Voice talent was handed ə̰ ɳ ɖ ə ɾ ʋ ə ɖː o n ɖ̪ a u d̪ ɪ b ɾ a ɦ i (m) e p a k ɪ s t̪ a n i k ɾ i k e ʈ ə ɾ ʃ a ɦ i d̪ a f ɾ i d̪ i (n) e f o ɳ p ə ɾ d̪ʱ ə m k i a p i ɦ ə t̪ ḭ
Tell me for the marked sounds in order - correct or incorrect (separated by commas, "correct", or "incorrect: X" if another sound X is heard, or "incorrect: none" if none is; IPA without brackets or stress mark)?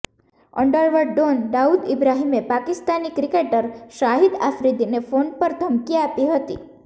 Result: correct, correct